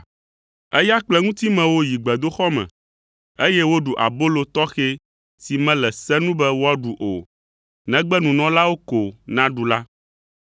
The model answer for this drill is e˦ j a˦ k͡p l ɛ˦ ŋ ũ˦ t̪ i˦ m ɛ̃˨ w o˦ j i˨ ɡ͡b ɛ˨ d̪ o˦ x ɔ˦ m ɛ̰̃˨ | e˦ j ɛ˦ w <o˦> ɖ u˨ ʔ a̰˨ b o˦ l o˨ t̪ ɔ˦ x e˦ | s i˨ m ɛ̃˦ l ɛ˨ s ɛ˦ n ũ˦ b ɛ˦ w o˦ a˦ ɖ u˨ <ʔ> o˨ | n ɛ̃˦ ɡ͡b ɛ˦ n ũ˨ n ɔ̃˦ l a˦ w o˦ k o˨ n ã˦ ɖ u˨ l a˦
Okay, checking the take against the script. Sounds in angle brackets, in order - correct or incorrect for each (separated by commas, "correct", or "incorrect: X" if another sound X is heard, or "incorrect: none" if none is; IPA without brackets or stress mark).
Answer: correct, correct